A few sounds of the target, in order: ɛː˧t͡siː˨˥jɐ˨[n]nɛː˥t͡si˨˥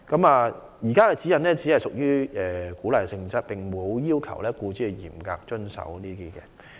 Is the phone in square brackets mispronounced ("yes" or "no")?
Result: no